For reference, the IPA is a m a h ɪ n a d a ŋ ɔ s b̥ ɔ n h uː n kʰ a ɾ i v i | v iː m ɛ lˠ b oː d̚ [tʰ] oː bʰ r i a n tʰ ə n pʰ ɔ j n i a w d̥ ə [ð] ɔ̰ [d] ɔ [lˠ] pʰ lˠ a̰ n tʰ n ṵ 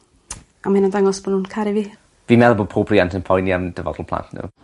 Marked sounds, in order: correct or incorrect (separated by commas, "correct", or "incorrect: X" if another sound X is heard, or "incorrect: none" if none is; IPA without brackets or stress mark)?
incorrect: pʰ, incorrect: v, correct, correct